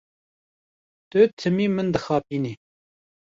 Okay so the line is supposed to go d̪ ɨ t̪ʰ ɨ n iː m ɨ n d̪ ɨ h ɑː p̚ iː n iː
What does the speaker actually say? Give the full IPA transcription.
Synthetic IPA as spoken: t̪ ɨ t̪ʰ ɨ m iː m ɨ n d̪ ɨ x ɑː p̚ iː n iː